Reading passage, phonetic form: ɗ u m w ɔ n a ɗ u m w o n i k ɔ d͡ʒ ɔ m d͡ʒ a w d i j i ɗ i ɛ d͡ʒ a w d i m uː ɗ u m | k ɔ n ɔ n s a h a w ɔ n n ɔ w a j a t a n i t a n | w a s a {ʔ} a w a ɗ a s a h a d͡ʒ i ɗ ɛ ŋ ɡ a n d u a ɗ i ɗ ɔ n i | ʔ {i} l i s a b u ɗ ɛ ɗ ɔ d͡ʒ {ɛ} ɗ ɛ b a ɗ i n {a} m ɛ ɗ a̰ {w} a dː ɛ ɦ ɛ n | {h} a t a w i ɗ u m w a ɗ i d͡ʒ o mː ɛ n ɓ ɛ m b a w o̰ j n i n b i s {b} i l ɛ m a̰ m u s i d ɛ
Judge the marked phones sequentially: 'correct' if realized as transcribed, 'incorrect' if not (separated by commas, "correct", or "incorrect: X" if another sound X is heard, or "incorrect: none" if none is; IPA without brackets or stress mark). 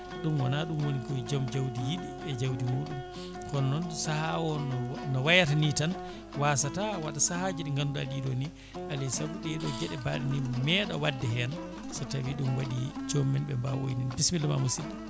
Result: incorrect: t, incorrect: a, correct, incorrect: i, correct, incorrect: s, incorrect: m